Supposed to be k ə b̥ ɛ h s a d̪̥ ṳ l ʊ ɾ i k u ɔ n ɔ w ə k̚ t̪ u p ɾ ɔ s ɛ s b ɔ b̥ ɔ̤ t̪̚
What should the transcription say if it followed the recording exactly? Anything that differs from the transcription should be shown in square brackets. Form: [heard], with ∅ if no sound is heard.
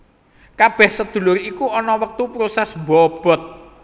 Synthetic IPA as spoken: k [a] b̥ ɛ h s [ə] d̪̥ ṳ l ʊ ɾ i k u ɔ n ɔ w ə k̚ t̪ u p ɾ [o] s ɛ s b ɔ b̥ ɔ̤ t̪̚